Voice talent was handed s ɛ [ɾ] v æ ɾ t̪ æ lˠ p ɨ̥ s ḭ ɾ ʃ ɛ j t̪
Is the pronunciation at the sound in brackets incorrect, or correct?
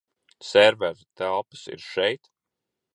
correct